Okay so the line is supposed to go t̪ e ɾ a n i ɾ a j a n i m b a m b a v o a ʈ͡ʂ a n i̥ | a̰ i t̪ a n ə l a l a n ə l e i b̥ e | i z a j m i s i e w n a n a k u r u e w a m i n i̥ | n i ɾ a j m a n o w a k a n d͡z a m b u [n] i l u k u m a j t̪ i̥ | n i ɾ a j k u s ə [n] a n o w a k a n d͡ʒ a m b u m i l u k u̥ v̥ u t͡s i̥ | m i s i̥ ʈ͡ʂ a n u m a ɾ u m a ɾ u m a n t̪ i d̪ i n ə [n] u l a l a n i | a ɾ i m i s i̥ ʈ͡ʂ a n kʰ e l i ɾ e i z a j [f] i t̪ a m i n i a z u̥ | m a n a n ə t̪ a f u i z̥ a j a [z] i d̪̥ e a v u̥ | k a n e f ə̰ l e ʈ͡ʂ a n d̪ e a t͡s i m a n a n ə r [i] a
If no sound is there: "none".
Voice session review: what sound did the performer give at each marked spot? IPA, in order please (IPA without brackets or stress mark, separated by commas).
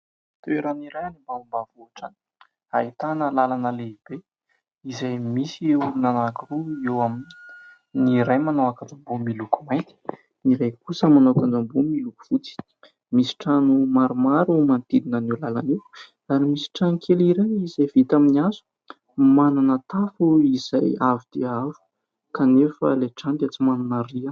m, m, n, v, v, i